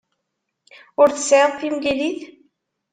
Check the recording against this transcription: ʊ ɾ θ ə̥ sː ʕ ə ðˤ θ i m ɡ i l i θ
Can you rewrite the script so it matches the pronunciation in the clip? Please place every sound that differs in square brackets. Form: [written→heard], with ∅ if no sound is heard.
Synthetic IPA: ʊ ɾ θ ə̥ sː ʕ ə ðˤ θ i m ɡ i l i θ